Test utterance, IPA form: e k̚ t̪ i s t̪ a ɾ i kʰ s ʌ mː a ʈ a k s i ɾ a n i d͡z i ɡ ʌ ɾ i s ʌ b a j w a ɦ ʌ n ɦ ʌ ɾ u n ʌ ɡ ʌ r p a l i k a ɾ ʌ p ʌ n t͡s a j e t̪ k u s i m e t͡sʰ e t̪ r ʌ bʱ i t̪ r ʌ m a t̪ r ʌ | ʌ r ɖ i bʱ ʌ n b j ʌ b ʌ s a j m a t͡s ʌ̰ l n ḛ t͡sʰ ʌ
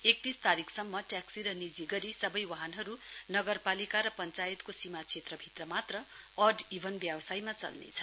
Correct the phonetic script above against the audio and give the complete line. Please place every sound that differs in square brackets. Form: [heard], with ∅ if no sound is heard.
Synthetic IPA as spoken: e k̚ t̪ i s t̪ a ɾ i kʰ s ʌ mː [ʌ] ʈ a k s i ɾ [ʌ] n i d͡z i ɡ ʌ ɾ i s ʌ b [ʌ] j w a ɦ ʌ n ɦ ʌ ɾ u n ʌ ɡ ʌ r p a l i k a ɾ ʌ p ʌ n t͡s a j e t̪ k [o] s i m [a] t͡sʰ e t̪ r ʌ bʱ i t̪ r ʌ m a t̪ r ʌ | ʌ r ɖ i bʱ ʌ n b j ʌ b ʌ s a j m a t͡s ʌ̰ l n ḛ t͡sʰ ʌ